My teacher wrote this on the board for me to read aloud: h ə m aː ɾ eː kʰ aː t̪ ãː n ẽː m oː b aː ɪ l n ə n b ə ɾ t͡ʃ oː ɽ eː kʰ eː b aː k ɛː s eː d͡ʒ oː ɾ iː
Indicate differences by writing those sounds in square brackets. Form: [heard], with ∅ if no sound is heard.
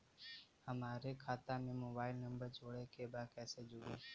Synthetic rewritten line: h ə m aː ɾ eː kʰ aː t̪ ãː [m] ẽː m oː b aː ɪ l n ə [m] b ə ɾ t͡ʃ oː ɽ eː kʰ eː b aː k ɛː s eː d͡ʒ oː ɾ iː